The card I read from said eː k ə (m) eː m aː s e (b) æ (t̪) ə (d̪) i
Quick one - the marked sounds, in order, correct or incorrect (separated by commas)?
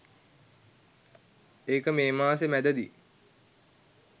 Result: correct, incorrect, incorrect, correct